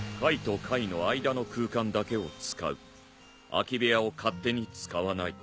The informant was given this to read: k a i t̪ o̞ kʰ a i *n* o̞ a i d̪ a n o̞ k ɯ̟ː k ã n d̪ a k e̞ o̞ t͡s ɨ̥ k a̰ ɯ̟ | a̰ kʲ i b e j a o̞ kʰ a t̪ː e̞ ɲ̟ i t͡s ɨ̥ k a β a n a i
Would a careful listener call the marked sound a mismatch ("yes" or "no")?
no